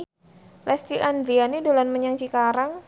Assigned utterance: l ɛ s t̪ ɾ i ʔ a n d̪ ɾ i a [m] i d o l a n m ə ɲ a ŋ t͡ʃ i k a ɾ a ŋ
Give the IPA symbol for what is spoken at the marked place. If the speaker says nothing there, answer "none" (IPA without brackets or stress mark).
n